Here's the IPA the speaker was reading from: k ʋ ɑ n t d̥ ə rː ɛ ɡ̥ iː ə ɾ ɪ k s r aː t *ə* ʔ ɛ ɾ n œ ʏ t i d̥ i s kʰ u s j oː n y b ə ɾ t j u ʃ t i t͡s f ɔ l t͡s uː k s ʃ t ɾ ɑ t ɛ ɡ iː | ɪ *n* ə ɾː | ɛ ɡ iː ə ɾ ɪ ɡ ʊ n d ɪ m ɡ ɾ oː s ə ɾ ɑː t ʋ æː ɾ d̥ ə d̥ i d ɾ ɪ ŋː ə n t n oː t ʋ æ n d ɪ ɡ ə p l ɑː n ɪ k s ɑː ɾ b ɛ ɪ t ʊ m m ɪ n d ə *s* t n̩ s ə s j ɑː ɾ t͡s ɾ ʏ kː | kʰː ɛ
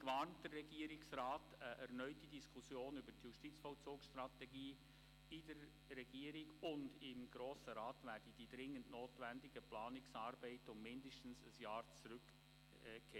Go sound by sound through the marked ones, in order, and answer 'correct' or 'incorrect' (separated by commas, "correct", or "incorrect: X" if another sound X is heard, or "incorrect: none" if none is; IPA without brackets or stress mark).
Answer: correct, incorrect: d, incorrect: ʃ